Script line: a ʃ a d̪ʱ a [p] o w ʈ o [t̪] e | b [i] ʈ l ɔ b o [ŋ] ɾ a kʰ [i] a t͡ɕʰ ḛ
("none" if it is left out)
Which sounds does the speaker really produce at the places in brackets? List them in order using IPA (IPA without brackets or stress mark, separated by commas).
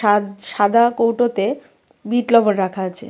k, t̪, i, n, a